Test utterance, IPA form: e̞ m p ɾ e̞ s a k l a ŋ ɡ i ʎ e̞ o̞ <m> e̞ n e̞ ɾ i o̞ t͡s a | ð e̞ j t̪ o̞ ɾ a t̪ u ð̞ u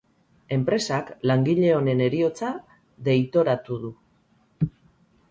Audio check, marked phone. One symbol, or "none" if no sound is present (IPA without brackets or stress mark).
n